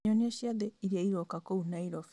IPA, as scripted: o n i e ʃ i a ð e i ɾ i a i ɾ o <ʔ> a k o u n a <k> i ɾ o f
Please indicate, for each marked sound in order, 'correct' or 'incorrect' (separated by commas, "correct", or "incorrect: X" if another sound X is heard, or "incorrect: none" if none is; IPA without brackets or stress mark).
incorrect: k, incorrect: none